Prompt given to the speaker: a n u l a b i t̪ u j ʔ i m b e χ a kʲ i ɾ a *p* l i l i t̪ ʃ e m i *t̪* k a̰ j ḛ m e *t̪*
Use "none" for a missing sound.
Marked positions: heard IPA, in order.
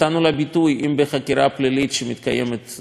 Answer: p, t̪, t̪

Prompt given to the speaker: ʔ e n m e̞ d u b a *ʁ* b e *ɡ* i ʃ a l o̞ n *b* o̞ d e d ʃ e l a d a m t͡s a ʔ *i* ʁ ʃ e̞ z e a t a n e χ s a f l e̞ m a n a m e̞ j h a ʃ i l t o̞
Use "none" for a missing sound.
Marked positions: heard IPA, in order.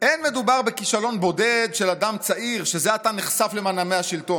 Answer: ʁ, k, b, i

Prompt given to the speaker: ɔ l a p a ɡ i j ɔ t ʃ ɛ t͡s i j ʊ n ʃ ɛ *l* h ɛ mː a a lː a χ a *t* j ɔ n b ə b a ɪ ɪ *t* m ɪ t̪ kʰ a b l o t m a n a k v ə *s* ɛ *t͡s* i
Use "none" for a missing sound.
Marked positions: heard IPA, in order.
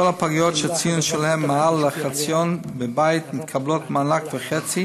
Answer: l, t͡s, t, χ, t͡s

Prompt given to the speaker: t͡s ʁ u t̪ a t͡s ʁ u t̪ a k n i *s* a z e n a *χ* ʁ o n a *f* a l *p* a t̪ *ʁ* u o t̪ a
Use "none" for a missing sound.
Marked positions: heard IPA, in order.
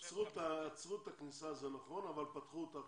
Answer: s, χ, v, p, χ

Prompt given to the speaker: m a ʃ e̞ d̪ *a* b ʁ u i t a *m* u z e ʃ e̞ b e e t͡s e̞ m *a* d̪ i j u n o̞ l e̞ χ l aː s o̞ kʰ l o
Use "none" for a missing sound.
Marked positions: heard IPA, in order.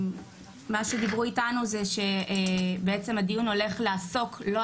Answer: i, n, a

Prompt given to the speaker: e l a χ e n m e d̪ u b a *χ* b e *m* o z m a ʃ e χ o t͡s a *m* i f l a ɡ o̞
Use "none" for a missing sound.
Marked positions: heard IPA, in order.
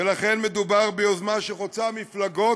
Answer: ʁ, none, m

